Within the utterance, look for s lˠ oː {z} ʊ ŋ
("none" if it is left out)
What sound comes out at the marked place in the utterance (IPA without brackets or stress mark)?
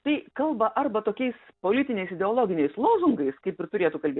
z